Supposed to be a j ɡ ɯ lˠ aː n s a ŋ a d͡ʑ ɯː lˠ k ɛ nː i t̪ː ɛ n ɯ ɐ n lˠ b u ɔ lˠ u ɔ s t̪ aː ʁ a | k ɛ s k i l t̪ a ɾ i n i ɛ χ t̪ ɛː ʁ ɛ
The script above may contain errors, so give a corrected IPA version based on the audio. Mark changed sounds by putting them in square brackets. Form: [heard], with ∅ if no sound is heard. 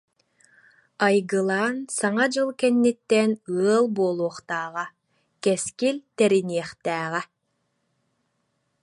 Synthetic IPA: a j ɡ ɯ lˠ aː n s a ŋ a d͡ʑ [ɯ] lˠ k ɛ nː i t̪ː ɛ n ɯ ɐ [∅] lˠ b u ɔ lˠ u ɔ [χ] t̪ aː ʁ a | k ɛ s k i l t̪ [ɛ] ɾ i n i ɛ χ t̪ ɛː ʁ ɛ